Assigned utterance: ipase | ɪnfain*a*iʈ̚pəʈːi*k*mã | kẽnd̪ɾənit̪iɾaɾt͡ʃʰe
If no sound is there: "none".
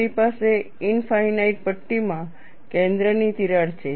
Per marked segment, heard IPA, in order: a, none

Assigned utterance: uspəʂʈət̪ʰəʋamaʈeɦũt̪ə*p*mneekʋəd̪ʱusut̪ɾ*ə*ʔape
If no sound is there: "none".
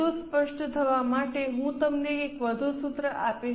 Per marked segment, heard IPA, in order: none, ə

